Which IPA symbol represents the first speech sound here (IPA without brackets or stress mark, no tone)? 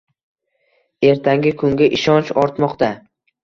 e̞